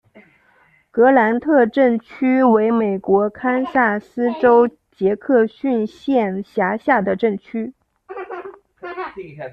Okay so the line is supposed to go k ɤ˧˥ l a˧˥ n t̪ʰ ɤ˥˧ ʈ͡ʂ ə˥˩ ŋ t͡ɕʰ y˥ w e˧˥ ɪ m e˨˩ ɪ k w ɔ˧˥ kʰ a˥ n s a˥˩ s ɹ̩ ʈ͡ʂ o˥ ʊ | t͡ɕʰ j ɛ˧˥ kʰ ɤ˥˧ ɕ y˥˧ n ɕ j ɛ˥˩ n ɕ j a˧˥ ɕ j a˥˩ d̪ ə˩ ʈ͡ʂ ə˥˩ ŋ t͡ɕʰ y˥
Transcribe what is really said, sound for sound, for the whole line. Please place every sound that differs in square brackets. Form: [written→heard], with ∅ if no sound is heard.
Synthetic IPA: k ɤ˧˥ l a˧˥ n t̪ʰ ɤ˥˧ ʈ͡ʂ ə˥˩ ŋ t͡ɕʰ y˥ w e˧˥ ɪ m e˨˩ ɪ k w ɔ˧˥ kʰ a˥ n s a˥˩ s ɹ̩ ʈ͡ʂ o˥ ʊ | [t͡ɕʰ→t͡ɕ] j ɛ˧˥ kʰ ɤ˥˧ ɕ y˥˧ n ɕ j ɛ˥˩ n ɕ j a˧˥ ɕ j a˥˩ d̪ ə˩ ʈ͡ʂ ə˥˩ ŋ t͡ɕʰ y˥